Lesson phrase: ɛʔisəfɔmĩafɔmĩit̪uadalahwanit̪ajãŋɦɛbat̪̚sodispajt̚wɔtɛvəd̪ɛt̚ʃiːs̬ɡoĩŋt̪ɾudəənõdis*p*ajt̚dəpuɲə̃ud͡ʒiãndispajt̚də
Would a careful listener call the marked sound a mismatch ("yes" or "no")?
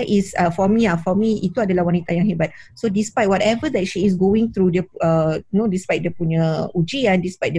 no